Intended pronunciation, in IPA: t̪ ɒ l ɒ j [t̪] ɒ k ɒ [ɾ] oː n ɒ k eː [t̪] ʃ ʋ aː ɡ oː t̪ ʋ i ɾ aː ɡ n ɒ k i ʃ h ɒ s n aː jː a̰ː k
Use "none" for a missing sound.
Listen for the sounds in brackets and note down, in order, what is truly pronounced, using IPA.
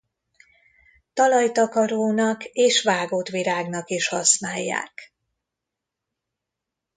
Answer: t̪, ɾ, none

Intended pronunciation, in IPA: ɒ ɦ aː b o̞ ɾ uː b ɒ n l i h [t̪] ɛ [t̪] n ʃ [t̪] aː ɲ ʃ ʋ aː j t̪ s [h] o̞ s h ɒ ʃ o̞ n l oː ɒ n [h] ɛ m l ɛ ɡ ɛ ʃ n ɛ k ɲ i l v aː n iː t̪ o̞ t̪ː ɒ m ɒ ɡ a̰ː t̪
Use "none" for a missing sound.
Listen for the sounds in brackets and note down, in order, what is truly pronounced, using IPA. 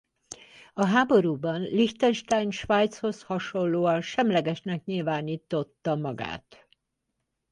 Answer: t̪, none, t̪, h, ʃ

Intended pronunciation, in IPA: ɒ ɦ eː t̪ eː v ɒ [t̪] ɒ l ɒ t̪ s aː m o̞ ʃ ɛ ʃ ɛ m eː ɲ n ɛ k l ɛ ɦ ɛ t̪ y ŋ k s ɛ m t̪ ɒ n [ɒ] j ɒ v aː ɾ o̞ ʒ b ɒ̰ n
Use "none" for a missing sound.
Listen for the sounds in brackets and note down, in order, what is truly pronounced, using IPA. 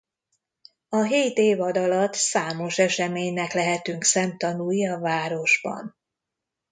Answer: d̪, u

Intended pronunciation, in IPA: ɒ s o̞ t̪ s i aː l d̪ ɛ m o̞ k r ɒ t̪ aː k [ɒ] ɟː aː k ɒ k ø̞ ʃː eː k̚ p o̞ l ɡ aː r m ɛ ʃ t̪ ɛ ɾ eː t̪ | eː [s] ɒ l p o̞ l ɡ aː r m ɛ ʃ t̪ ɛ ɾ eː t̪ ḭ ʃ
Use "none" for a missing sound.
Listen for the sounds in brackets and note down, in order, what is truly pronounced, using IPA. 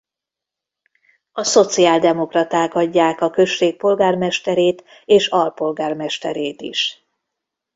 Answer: ɒ, ʃ

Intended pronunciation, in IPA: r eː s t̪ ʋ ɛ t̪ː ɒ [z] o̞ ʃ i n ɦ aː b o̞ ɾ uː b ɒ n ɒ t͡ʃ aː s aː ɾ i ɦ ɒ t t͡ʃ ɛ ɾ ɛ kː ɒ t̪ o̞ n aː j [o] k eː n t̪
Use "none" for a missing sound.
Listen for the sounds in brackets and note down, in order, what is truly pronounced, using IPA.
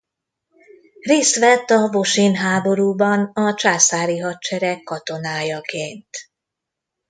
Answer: v, ɒ

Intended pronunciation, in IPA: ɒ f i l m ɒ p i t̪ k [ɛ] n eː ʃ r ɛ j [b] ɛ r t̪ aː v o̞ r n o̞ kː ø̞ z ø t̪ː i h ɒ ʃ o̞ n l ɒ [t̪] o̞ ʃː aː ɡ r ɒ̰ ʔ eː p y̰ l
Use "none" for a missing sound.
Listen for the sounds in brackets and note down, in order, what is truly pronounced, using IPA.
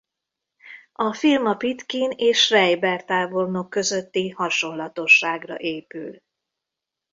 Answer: i, b, t̪

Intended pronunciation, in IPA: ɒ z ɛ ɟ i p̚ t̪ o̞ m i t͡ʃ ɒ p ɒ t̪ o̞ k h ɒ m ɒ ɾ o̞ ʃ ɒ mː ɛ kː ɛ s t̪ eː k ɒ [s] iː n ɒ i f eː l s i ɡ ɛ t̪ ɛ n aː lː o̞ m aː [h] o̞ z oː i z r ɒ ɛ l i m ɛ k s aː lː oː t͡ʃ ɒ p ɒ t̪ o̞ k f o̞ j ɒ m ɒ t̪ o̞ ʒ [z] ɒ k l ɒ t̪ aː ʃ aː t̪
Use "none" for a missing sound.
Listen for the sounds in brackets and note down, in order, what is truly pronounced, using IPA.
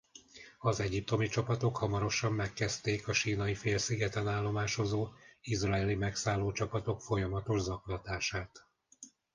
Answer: ʃ, ʃ, z

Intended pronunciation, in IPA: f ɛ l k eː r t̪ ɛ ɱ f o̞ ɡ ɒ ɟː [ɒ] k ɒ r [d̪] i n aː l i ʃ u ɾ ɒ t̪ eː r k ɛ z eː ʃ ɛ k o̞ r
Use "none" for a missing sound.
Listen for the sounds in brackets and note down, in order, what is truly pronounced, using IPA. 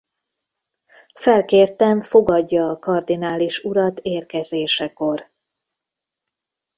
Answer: ɒː, d̪

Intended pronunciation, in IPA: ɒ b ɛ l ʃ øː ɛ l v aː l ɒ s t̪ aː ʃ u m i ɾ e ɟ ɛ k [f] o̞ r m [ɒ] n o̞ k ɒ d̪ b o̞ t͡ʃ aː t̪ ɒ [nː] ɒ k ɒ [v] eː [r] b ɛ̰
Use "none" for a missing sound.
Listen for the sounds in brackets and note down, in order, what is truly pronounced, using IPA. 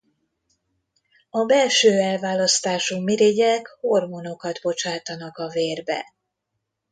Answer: h, o, n, v, r

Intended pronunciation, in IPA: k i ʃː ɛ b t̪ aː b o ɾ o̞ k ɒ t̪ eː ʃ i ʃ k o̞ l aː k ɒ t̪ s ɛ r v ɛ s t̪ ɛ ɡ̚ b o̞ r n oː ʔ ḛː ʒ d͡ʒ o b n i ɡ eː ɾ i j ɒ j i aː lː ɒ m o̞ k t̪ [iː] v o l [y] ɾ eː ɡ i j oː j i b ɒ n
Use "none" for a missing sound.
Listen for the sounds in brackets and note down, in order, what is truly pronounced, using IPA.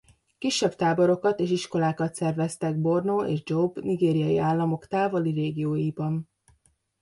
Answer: aː, i

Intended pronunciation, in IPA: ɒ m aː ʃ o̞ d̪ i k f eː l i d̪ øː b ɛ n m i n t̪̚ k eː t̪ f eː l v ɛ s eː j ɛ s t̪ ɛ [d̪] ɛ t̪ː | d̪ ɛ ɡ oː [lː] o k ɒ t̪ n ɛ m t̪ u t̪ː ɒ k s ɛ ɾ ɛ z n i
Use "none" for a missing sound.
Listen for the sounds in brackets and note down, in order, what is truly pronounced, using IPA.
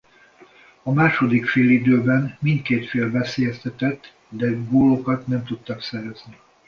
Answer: t̪, l

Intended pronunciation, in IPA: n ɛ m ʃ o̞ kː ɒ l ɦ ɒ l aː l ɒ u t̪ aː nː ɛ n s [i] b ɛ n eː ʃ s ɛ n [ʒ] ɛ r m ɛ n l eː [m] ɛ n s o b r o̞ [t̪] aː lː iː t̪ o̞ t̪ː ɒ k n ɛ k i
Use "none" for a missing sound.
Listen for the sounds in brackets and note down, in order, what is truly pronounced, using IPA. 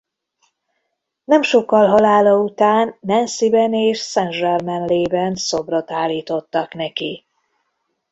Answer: i, ʒ, b, t̪

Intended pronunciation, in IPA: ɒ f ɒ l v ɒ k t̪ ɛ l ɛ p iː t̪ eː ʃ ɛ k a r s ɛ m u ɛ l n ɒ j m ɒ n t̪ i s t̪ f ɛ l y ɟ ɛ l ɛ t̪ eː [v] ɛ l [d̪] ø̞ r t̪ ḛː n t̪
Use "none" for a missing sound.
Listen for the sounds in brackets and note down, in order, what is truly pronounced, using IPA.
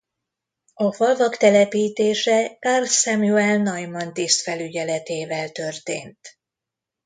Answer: v, t̪

